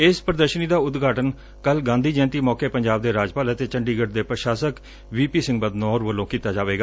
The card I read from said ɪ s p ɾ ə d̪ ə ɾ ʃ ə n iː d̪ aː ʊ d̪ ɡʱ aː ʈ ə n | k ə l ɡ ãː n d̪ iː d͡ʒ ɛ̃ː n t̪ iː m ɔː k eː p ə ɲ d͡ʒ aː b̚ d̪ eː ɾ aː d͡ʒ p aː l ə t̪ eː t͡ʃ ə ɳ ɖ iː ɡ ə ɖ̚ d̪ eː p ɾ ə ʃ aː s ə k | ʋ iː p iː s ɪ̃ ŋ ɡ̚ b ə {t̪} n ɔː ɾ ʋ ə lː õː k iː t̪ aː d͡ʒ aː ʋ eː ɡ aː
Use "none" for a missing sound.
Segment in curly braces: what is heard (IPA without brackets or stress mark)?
d̪